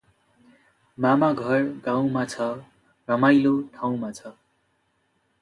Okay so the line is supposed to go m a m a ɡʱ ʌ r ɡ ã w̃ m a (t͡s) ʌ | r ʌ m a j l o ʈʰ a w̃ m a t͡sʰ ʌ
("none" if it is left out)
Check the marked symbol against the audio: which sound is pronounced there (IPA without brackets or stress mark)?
t͡sʰ